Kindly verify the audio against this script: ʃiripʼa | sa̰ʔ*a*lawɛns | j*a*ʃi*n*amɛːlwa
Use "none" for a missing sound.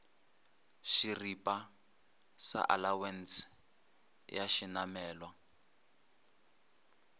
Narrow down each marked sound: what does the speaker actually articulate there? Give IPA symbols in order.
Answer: a, a, n

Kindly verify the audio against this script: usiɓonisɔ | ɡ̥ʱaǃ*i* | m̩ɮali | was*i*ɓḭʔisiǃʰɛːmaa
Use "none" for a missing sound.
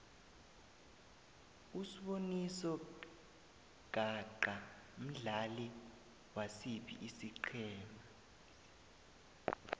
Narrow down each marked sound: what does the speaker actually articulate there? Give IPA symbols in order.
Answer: a, i

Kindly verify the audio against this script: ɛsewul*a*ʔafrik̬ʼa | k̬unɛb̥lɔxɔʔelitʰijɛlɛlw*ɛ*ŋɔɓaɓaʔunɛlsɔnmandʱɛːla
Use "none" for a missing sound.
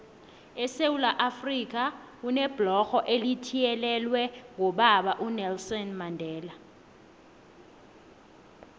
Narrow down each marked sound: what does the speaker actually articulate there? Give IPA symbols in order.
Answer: a, ɛ

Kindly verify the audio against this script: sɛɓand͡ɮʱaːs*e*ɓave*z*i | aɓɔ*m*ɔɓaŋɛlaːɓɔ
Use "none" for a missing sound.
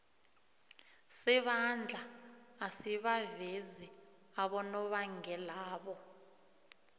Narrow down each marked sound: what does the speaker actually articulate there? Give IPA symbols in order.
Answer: i, z, n

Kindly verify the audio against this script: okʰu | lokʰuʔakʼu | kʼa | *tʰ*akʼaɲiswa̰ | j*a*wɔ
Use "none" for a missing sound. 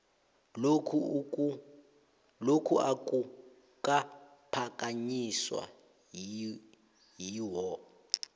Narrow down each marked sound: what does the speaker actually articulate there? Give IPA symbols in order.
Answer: pʰ, i

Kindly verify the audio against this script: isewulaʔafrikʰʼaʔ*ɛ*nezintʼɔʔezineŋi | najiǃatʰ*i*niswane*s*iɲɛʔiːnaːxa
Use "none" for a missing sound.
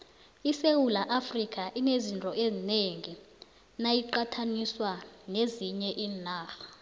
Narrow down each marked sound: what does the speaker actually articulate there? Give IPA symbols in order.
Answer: i, a, z

